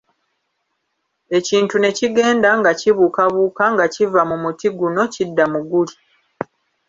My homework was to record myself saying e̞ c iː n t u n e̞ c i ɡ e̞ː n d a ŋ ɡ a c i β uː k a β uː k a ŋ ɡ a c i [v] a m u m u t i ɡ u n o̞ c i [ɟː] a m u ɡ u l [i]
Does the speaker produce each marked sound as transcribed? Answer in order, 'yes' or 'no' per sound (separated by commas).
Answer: yes, no, yes